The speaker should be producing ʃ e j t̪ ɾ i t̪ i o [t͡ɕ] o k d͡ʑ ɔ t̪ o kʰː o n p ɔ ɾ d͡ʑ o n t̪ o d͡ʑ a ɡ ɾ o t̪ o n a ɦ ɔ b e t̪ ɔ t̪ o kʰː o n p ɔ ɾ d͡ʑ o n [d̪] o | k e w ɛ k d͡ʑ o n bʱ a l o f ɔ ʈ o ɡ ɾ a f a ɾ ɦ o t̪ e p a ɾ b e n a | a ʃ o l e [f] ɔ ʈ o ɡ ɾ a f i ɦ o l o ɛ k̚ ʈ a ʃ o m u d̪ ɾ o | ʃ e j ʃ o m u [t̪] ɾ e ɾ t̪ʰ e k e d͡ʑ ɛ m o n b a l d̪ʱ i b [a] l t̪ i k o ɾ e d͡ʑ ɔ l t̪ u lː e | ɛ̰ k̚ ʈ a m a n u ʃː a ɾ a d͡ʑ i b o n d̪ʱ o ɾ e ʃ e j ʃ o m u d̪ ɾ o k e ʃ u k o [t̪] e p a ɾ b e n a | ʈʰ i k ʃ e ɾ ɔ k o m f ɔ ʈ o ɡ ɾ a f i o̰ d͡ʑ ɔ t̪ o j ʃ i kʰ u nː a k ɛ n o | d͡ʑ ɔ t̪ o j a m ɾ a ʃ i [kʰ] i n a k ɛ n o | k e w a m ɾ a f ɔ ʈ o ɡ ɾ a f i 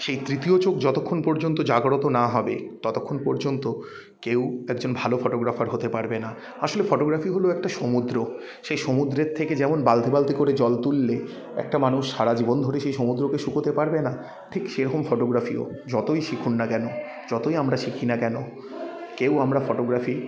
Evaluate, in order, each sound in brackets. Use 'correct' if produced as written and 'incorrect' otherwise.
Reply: correct, incorrect, correct, incorrect, correct, correct, correct

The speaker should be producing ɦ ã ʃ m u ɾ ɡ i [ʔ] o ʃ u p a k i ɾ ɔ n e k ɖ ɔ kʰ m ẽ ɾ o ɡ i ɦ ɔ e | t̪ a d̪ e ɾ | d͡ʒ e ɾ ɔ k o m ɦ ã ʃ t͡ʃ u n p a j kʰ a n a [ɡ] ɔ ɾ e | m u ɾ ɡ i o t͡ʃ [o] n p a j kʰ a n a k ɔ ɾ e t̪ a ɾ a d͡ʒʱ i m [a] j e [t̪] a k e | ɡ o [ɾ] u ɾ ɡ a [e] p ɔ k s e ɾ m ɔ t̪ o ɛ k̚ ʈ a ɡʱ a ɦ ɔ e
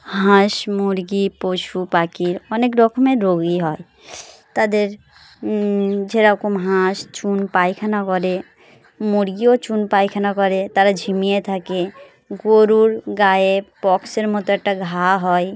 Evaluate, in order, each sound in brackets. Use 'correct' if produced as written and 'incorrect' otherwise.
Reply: incorrect, incorrect, incorrect, incorrect, incorrect, correct, correct

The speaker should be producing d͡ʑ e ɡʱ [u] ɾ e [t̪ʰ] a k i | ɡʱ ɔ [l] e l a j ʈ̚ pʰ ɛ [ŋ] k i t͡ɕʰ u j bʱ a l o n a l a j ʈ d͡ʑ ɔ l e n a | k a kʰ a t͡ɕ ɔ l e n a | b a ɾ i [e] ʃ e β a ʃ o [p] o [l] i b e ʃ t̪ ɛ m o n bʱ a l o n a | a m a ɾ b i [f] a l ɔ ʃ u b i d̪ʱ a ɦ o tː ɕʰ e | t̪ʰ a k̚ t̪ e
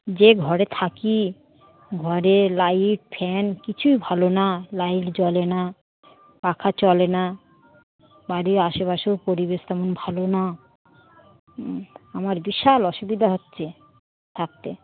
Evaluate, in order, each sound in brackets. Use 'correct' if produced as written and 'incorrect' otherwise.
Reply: incorrect, correct, incorrect, incorrect, incorrect, correct, incorrect, incorrect

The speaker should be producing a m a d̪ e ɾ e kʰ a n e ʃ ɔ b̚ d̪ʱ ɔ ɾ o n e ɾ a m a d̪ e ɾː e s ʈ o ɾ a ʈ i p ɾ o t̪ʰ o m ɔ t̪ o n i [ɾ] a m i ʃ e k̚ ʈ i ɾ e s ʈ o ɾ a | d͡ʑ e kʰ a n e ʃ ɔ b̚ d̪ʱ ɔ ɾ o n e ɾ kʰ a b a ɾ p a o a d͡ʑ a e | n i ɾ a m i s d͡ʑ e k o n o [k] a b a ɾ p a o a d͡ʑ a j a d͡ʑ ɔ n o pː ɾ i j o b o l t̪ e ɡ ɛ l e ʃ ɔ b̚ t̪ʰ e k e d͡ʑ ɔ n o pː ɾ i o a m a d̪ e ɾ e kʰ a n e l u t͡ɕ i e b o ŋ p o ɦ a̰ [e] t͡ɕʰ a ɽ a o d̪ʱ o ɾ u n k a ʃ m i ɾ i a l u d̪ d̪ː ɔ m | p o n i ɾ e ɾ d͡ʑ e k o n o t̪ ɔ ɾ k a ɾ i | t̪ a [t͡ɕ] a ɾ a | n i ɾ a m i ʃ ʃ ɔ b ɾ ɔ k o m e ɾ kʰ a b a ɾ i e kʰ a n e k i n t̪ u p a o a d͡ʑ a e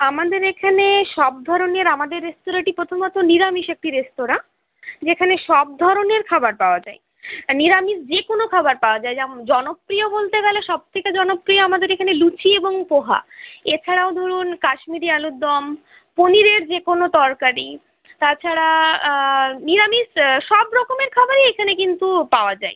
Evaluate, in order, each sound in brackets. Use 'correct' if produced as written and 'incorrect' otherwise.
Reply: correct, incorrect, correct, incorrect

